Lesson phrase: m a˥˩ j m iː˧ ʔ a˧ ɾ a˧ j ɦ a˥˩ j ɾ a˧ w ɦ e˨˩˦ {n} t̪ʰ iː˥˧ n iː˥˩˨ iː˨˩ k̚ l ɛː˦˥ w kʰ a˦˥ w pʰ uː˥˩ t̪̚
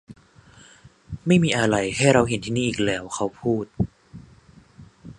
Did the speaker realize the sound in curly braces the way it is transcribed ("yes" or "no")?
yes